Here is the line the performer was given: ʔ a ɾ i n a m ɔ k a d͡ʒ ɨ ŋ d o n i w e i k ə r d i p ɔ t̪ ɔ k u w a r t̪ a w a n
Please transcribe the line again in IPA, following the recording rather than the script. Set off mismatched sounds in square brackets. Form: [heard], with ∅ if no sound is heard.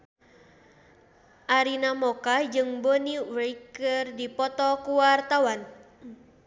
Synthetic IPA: ʔ a ɾ i n a m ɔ k a d͡ʒ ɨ ŋ [b] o n i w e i k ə r d i p ɔ t̪ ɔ k u w a r t̪ a w a n